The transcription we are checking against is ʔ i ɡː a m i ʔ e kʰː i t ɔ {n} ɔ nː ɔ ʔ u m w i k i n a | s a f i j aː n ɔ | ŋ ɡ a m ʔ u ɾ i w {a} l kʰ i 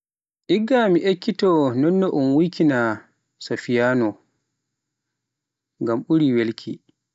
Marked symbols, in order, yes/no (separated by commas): yes, no